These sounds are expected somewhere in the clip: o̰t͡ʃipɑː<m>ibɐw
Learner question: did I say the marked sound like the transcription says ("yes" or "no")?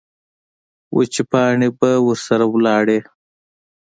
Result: no